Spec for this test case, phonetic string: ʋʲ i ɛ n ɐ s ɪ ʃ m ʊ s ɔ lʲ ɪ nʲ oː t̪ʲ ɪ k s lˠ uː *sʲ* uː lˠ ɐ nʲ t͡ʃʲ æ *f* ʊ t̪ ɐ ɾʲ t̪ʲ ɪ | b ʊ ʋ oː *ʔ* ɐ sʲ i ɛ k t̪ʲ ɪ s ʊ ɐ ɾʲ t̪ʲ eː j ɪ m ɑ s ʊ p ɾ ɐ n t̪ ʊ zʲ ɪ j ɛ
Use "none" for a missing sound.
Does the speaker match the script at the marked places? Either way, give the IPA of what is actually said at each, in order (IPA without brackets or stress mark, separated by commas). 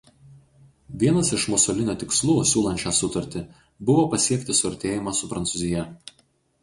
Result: sʲ, s, p